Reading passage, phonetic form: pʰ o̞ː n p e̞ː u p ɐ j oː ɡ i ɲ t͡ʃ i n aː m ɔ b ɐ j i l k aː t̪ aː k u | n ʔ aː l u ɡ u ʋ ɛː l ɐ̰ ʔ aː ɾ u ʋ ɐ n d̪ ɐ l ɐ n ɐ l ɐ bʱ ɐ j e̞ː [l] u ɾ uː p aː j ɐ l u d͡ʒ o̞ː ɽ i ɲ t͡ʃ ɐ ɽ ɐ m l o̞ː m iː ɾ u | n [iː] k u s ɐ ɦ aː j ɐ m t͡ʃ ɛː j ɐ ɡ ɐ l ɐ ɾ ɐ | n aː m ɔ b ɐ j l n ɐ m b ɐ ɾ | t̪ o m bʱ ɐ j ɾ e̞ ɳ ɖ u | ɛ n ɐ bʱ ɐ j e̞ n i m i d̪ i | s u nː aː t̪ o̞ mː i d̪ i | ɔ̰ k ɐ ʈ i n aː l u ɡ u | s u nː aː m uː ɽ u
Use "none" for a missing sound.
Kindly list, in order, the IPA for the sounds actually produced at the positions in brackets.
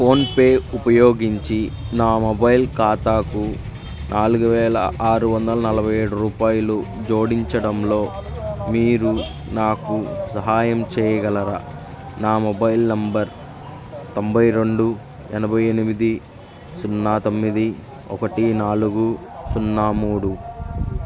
ɽ, aː

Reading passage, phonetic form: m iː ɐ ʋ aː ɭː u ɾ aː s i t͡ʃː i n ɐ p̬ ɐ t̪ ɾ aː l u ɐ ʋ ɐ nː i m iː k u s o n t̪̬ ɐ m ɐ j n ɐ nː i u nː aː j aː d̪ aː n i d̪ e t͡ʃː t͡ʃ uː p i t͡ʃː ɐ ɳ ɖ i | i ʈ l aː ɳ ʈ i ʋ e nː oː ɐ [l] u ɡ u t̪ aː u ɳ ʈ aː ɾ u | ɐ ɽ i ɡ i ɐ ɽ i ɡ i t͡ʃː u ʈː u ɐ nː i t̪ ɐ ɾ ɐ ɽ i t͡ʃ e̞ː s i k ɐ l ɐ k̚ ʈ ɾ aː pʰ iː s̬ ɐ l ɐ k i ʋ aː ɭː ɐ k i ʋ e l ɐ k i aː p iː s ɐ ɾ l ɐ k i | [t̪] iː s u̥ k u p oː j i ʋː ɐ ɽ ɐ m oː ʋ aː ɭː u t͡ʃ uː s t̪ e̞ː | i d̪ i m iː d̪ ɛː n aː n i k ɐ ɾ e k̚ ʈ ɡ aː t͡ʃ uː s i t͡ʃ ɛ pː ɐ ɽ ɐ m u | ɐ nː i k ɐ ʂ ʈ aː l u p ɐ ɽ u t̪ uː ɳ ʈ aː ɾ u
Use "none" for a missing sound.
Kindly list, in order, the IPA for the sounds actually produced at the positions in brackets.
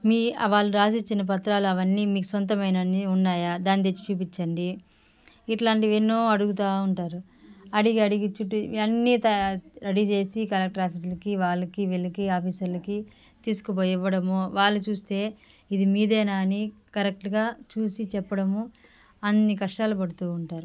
ɽ, t̪

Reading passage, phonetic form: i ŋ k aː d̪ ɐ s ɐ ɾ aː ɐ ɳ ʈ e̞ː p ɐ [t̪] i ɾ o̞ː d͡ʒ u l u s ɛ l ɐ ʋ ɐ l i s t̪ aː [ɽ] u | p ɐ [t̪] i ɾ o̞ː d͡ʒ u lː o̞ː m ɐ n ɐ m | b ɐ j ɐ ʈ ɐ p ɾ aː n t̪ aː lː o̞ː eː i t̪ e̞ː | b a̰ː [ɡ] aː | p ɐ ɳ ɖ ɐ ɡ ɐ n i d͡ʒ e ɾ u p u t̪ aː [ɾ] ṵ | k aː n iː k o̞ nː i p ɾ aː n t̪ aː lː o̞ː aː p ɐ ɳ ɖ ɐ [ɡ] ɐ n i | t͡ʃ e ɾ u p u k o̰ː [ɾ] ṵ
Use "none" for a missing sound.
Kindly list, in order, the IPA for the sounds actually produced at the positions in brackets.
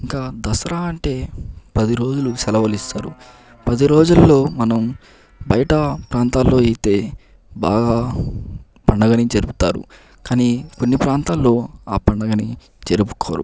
d̪, ɾ, d̪, ɡ, ɾ, ɡ, ɾ

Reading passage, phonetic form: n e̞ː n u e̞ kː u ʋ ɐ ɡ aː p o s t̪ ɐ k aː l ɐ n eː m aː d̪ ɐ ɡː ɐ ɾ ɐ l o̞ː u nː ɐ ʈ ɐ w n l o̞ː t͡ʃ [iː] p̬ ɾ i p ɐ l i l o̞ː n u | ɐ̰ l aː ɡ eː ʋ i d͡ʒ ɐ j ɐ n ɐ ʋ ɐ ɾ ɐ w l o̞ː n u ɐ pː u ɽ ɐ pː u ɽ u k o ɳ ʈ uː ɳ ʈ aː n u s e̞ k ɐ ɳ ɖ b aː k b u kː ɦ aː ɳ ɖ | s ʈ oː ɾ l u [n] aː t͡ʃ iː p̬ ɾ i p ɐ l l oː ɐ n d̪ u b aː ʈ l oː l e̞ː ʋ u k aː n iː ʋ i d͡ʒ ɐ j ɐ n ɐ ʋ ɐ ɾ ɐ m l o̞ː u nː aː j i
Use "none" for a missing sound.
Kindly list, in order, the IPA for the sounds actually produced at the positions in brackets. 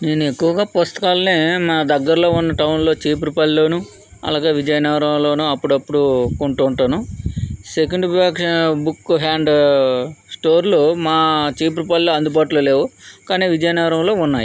iː, m

